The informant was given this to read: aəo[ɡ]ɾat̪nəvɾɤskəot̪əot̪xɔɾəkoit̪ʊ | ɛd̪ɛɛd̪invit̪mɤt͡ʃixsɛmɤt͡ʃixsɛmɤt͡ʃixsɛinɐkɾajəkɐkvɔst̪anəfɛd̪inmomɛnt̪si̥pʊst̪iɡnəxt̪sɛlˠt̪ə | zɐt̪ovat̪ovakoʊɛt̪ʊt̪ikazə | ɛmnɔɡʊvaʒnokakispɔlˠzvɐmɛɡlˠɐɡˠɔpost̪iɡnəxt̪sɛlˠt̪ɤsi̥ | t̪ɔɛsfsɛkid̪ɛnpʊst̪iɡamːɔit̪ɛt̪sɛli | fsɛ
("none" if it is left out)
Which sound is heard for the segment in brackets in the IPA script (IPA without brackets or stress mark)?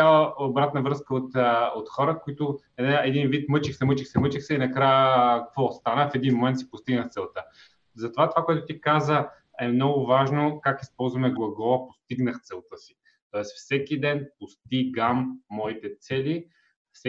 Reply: b